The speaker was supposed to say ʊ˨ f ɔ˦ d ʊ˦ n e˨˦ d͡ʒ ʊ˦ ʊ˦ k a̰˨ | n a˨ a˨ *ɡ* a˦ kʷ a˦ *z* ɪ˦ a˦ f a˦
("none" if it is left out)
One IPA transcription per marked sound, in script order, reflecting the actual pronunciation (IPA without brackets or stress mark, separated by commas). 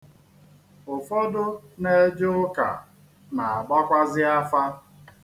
ɡ͡b, z